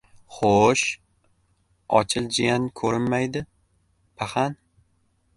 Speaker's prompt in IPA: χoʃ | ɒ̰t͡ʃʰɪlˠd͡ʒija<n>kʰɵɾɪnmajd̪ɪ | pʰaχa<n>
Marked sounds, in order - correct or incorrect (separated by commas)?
correct, correct